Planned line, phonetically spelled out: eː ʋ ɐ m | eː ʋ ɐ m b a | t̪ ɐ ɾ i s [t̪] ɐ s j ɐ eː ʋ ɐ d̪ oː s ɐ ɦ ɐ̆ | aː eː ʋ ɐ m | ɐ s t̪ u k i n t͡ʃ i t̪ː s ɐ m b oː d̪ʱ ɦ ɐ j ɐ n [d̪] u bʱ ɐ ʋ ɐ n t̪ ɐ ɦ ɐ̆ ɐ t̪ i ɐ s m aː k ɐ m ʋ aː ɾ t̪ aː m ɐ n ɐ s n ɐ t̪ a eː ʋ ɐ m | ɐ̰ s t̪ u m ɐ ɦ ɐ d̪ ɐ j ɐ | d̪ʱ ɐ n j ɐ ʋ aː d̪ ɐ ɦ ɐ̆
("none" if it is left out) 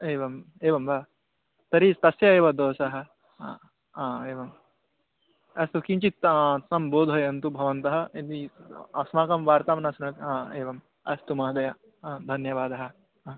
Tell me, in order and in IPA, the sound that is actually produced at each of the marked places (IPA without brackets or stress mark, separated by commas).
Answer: t̪, t̪